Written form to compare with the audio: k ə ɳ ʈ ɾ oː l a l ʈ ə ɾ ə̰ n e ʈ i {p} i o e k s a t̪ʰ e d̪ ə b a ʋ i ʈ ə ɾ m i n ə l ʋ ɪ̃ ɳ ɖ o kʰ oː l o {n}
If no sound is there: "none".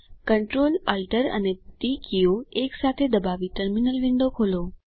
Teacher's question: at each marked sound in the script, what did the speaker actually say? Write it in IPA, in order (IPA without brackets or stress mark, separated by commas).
k, none